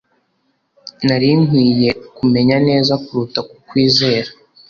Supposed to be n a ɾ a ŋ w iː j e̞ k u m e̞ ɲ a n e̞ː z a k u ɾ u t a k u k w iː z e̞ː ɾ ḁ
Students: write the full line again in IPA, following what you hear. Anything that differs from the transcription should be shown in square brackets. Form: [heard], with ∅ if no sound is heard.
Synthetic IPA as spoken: n a ɾ [i] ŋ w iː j e̞ k u m e̞ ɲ a n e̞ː z a k u ɾ u t a k u k w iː z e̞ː ɾ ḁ